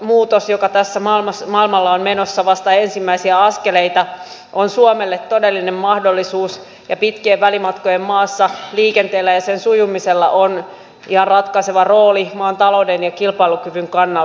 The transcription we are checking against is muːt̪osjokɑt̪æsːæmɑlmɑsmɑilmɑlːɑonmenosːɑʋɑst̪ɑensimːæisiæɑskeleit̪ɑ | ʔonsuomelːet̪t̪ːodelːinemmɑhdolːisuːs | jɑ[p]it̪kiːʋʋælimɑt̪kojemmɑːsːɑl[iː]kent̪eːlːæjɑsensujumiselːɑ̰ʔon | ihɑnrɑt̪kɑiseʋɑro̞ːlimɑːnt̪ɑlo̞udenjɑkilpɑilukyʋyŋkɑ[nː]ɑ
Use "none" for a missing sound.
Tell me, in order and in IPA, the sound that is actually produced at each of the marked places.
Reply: p, iː, nː

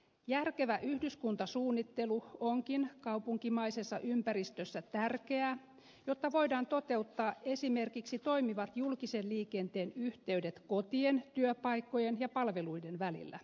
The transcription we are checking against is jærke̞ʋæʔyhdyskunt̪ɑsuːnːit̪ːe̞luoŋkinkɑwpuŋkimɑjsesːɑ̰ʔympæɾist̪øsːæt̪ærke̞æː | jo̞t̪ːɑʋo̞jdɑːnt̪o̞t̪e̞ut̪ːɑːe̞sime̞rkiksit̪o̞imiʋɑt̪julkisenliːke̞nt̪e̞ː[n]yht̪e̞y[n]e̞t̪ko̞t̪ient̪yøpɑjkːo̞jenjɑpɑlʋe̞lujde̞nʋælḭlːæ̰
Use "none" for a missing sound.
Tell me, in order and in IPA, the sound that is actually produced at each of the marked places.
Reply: n, d

